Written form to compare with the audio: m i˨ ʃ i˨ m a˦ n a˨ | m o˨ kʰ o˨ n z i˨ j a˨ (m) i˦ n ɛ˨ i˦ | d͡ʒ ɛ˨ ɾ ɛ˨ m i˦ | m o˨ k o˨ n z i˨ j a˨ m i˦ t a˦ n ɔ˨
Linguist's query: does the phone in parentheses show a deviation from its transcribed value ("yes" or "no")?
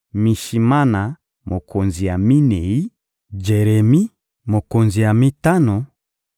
no